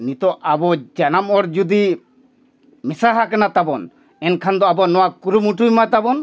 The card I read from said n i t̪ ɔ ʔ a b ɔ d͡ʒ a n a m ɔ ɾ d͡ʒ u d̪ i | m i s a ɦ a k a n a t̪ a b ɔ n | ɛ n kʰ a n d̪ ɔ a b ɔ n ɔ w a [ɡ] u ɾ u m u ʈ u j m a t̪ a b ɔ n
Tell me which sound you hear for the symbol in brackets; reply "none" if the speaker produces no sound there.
k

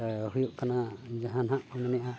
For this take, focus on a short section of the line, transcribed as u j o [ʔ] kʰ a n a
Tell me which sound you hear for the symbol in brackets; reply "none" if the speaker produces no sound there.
ʔ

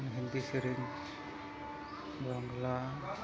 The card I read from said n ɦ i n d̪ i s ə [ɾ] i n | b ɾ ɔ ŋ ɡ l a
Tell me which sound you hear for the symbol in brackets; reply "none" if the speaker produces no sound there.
ɾ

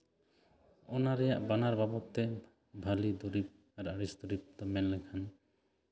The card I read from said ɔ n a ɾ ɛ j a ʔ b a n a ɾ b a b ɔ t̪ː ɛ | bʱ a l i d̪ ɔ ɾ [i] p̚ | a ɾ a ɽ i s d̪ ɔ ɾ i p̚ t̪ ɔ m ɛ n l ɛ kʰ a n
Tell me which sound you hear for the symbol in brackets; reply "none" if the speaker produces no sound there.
i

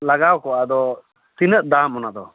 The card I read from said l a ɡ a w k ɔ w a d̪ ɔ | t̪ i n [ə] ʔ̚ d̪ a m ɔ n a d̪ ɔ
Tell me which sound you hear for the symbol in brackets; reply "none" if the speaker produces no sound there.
ə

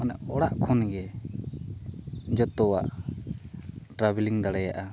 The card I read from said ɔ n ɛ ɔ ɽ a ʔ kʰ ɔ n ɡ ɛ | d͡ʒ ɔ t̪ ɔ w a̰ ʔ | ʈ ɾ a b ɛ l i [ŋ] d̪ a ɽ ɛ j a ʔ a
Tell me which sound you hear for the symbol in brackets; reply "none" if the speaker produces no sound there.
ŋ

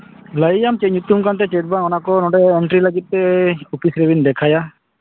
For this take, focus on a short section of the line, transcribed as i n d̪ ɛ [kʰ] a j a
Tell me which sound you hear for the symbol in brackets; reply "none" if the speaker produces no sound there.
kʰ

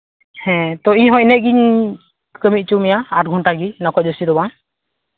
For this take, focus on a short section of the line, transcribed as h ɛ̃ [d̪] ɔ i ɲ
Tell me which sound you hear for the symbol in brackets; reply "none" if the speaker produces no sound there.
t̪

